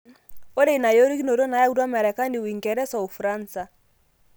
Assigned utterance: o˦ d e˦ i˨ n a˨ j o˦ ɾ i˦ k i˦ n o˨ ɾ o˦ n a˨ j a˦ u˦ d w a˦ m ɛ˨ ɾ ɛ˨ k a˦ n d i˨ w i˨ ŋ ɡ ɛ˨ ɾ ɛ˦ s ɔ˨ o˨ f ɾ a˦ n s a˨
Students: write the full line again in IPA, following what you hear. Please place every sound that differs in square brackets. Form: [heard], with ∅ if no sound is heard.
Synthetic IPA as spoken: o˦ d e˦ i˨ n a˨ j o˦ ɾ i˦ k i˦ n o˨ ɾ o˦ n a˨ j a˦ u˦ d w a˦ m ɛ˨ ɾ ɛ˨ k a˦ n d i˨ w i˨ ŋ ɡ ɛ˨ ɾ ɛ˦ s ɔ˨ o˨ f ɾ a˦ n s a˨